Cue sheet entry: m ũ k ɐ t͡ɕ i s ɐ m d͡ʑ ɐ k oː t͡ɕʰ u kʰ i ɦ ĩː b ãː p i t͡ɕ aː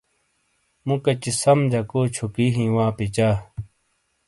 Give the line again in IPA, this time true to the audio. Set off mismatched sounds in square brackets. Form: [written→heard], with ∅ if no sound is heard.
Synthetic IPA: m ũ k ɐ t͡ɕ i s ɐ m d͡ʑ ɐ k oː t͡ɕʰ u [kʰ→k] i ɦ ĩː [b→w] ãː p i t͡ɕ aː